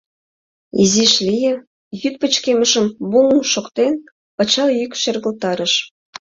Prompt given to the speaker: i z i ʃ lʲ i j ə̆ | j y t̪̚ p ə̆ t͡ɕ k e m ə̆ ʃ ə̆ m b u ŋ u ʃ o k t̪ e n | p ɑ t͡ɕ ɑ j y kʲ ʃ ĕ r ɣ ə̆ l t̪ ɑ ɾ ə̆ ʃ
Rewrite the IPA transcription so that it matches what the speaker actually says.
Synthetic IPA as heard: i z i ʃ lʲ i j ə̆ | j y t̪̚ p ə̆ t͡ɕ k e m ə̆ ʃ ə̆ m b u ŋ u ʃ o k t̪ e n | p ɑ t͡ɕ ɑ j y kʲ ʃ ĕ r ɣ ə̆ l t̪ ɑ ɾ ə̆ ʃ